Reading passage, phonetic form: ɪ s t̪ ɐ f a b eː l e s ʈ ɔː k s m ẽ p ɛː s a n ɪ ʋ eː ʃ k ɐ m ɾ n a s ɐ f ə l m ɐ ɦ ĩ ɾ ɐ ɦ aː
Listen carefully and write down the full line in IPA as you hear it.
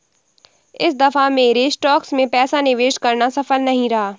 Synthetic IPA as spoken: ɪ s d̪ ɐ f a m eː ɾ e s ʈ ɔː k s m ẽ p ɛː s a n ɪ ʋ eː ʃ k ɐ ɾ n a s ɐ f ə l n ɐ ɦ ĩ ɾ ɐ ɦ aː